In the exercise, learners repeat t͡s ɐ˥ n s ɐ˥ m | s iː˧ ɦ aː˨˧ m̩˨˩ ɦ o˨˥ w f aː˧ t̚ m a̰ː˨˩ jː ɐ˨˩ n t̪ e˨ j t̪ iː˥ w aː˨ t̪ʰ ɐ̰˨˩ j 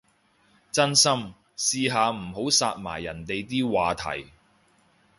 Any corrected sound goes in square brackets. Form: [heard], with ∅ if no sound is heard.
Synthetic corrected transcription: t͡s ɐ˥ n s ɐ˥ m | s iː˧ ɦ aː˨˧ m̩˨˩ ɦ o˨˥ w [s] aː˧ t̚ m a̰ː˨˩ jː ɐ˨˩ n t̪ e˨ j t̪ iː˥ w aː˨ t̪ʰ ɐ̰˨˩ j